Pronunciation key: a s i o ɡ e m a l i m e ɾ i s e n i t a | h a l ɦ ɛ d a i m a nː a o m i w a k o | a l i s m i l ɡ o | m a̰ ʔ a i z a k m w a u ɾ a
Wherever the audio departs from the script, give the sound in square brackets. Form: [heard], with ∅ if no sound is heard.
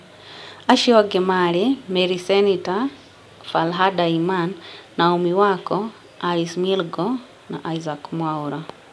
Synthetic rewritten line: a [ʃ] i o ɡ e m a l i m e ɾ i s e n i t a | [f] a l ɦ [a] d a i m a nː a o m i w a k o | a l i s m i l ɡ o | [n] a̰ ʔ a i z a k m w a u ɾ a